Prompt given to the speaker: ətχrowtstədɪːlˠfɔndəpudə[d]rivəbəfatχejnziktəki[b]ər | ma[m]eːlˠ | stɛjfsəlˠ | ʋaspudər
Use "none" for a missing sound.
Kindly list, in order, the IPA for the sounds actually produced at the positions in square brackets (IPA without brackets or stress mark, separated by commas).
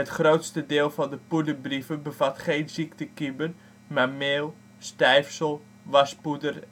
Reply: b, b, m